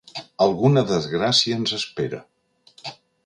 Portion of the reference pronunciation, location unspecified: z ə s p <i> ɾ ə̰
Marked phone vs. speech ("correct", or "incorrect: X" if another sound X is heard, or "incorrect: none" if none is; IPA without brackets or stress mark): incorrect: e